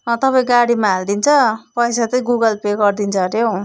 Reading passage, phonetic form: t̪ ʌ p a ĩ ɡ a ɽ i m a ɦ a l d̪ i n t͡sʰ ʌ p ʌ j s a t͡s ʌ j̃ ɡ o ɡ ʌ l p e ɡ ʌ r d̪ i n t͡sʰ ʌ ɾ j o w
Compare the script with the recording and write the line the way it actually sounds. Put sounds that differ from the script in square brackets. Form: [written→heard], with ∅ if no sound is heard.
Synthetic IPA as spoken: t̪ ʌ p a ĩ ɡ a ɽ i m a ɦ a l d̪ i n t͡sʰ ʌ p ʌ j s a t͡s ʌ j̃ ɡ [o→u] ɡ ʌ l p e ɡ ʌ r d̪ i n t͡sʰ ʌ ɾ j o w